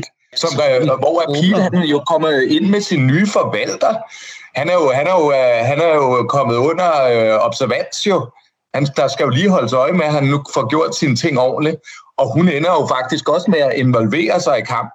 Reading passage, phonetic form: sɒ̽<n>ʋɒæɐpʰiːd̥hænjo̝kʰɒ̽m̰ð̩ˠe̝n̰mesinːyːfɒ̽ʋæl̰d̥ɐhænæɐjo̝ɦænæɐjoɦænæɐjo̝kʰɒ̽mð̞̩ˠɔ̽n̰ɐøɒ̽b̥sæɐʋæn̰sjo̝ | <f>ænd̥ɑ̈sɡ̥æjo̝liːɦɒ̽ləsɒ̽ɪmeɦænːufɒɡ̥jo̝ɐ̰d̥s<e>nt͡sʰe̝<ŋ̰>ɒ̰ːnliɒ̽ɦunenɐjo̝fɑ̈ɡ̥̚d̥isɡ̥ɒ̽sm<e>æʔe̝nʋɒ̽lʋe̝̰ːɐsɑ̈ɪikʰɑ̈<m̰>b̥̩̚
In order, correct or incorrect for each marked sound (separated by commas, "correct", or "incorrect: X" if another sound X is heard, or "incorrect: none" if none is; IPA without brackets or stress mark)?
incorrect: m, incorrect: h, incorrect: i, correct, correct, correct